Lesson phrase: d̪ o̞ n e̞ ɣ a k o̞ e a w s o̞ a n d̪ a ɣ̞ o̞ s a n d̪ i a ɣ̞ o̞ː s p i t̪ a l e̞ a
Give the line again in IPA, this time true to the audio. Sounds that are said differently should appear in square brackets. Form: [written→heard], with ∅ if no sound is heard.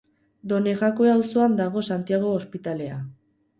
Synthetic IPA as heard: d̪ o̞ n e̞ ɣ a k o̞ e a w s o̞ a n d̪ a ɣ̞ o̞ s a n [d̪→t̪] i a ɣ̞ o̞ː s p i t̪ a l e̞ a